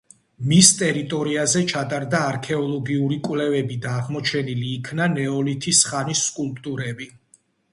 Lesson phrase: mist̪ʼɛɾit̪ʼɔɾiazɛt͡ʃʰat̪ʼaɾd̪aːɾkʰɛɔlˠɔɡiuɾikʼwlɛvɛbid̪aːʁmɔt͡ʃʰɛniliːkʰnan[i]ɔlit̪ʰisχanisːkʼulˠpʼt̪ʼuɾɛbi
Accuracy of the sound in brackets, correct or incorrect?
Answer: incorrect